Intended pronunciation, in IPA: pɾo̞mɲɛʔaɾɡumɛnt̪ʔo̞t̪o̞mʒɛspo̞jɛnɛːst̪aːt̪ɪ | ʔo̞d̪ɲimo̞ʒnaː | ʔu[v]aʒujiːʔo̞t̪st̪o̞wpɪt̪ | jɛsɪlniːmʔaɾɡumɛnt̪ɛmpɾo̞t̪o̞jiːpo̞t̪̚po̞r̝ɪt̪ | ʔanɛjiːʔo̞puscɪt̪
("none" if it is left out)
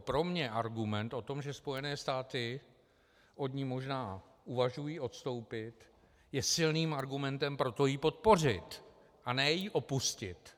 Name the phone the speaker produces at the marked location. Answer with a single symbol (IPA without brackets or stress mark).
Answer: v